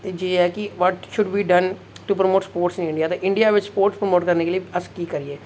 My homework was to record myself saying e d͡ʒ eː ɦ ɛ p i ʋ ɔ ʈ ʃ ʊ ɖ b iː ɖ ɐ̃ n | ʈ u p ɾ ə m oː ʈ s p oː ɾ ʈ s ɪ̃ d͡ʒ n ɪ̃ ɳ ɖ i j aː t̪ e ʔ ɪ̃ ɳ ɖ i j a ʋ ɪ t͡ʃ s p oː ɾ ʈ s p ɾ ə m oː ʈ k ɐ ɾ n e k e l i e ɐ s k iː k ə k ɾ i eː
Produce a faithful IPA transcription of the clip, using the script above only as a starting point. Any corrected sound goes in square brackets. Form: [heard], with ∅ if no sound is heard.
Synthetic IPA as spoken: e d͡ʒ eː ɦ ɛ [k] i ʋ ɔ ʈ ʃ ʊ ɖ b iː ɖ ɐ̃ n | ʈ u p ɾ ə m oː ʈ s p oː ɾ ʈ s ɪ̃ [∅] n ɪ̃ ɳ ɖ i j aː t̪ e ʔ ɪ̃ ɳ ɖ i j a ʋ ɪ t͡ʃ s p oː ɾ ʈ s p ɾ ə m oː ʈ k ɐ ɾ n e k e l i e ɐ s k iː k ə [∅] ɾ i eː

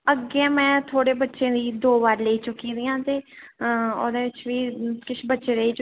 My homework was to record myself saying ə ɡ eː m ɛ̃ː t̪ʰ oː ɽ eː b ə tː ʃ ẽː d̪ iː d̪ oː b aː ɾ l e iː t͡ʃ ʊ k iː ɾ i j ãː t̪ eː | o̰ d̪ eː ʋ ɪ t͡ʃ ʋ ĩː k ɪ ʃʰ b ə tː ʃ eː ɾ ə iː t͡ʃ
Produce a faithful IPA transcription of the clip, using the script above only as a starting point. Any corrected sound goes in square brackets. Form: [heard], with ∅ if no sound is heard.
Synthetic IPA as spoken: ə ɡ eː m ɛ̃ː t̪ʰ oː ɽ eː b ə tː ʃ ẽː d̪ iː d̪ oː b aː ɾ l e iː t͡ʃ ʊ k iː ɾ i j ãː t̪ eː | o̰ d̪ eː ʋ ɪ t͡ʃ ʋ [iː] k ɪ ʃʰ b ə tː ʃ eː ɾ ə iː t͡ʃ

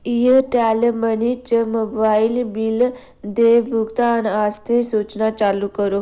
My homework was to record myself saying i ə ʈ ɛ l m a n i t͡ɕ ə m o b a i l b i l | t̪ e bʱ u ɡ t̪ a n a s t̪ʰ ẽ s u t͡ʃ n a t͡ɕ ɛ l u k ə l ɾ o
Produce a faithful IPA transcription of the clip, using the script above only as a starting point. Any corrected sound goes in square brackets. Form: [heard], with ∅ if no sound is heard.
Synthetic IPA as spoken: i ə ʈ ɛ l m [ə] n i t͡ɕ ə m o b a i l b i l | [d̪] e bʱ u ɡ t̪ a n a s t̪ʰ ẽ s u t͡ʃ n a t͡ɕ [a] l u k ə [∅] ɾ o

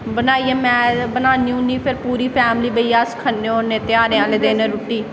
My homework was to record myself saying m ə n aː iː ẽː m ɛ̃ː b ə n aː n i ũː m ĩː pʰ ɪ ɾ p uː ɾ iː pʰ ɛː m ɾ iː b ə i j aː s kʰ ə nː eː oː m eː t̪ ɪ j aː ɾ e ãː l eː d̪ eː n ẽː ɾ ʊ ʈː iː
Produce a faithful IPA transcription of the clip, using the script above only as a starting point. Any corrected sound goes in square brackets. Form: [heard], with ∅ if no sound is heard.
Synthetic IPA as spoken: [b] ə n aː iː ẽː m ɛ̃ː b ə n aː n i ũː [n] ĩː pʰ ɪ ɾ p uː ɾ iː pʰ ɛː m [l] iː b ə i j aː s kʰ ə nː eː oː [n] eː t̪ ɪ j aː ɾ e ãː l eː d̪ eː n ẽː ɾ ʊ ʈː iː

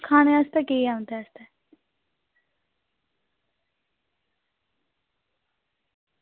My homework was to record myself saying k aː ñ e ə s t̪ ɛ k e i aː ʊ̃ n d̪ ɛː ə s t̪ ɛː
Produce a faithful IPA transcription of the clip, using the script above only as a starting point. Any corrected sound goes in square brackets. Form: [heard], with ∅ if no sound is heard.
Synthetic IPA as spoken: [kʰ] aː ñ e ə s t̪ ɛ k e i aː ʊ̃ n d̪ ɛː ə s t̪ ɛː

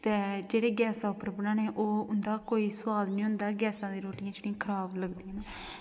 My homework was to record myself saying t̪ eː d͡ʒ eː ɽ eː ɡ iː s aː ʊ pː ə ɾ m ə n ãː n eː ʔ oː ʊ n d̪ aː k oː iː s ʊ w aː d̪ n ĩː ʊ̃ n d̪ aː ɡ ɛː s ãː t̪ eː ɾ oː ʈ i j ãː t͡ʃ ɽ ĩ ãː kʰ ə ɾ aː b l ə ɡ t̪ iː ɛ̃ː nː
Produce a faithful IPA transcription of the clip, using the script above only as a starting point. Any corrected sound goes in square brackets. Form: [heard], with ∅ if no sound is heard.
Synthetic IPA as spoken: t̪ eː d͡ʒ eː ɽ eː ɡ [ɛː] s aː ʊ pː ə ɾ [b] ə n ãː n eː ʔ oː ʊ n d̪ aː k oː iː s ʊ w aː d̪ n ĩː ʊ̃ n d̪ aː ɡ ɛː s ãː [d̪] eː ɾ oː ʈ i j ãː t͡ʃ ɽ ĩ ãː kʰ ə ɾ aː b l ə ɡ [d̪] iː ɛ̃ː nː

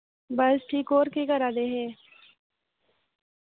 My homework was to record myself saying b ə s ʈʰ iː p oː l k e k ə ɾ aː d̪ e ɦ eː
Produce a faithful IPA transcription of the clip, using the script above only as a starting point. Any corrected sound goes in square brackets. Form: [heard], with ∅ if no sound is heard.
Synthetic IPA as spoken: b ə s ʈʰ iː [k] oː [ɾ] k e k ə ɾ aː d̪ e ɦ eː

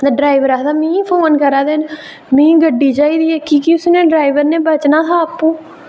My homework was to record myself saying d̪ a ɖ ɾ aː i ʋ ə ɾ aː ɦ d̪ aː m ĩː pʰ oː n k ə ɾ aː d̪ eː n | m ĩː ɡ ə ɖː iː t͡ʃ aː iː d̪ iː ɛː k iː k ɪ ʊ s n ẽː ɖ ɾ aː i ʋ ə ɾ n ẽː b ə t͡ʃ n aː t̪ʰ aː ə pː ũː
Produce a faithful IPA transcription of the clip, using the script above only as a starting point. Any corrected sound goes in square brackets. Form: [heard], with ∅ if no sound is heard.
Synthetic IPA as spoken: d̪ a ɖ ɾ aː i ʋ ə ɾ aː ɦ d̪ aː m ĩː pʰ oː n k ə ɾ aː d̪ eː n | m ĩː ɡ ə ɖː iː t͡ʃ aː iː d̪ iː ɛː k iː k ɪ ʊ s n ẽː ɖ ɾ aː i ʋ ə ɾ n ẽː b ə t͡ʃ n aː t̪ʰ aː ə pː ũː

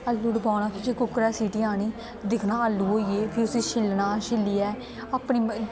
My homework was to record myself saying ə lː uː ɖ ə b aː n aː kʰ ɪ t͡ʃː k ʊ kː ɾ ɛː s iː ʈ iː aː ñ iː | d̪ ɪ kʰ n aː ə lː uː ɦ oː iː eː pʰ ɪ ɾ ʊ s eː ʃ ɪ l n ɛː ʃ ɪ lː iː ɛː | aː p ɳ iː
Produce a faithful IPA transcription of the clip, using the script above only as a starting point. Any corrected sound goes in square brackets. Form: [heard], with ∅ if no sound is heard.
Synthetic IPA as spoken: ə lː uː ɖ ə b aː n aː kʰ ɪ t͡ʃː k ʊ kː ɾ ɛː s iː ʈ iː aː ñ iː | d̪ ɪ kʰ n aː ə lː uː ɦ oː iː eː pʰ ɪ ɾ ʊ s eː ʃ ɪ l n [aː] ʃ ɪ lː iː ɛː | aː p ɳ iː

